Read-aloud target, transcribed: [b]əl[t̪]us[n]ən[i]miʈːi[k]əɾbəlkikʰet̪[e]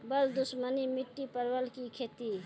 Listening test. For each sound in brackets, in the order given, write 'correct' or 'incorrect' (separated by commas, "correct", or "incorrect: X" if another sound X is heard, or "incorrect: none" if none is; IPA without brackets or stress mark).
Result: correct, incorrect: d̪, incorrect: m, correct, incorrect: p, incorrect: i